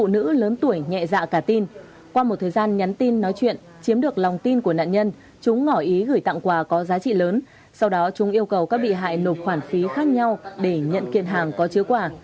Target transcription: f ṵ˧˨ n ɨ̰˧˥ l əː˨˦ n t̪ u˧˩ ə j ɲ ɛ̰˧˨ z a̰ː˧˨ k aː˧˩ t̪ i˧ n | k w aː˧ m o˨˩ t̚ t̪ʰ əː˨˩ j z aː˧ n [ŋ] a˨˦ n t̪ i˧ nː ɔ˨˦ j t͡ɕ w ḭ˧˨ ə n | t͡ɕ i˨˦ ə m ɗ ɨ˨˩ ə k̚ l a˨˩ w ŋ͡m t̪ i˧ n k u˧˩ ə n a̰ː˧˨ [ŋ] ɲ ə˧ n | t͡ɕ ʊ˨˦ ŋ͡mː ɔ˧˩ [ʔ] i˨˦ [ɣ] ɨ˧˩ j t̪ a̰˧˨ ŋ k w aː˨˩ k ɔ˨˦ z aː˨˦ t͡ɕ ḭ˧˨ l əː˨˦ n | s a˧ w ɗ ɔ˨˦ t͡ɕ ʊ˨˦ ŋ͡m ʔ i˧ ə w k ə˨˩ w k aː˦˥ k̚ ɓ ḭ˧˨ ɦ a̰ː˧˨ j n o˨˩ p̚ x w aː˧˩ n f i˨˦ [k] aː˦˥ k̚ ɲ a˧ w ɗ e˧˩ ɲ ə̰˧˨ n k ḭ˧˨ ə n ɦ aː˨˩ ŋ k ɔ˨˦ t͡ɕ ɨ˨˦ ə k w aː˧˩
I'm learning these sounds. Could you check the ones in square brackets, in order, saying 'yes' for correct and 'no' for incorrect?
no, no, yes, yes, no

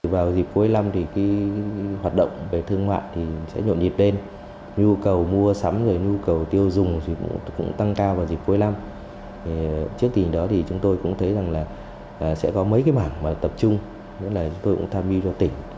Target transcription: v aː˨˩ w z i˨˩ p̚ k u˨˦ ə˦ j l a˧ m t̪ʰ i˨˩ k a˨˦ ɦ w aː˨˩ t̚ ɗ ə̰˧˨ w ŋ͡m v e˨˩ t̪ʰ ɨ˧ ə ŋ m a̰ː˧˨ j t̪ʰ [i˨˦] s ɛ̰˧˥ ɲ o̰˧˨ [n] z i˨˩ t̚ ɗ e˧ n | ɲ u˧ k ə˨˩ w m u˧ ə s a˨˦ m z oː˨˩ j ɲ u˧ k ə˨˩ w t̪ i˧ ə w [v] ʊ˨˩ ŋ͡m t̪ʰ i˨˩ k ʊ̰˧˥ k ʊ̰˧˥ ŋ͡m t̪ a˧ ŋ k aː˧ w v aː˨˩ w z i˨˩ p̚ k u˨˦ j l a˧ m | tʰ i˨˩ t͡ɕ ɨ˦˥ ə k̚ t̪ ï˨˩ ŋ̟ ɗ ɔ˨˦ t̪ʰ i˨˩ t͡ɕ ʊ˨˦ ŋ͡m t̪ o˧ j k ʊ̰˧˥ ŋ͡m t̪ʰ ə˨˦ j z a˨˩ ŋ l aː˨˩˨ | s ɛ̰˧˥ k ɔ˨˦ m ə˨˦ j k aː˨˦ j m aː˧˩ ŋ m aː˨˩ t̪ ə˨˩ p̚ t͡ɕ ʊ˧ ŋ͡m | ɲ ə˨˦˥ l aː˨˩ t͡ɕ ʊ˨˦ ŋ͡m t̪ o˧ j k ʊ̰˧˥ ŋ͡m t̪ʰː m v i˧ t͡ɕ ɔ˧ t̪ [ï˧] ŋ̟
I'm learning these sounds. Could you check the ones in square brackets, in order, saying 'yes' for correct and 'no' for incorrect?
no, yes, no, no

